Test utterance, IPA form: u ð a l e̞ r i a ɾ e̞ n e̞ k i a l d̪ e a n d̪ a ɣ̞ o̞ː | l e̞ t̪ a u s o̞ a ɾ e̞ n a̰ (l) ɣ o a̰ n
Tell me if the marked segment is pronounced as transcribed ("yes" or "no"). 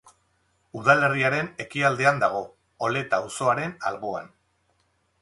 yes